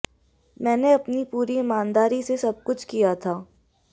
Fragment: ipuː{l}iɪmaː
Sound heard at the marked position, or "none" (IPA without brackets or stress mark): ɾ